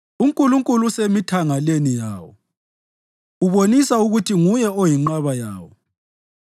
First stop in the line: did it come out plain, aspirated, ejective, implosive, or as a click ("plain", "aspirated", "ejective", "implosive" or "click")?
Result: ejective